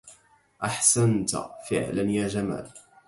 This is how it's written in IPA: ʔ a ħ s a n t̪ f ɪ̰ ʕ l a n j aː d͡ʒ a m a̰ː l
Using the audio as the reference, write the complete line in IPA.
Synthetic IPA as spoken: ʔ a ħ s a n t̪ f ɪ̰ ʕ l a n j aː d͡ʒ a m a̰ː l